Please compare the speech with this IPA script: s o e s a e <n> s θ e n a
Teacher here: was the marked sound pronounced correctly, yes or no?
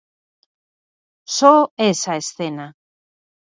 no